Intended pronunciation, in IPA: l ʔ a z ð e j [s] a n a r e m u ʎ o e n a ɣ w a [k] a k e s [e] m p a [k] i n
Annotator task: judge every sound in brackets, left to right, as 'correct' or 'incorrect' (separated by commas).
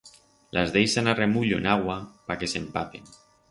correct, incorrect, correct, incorrect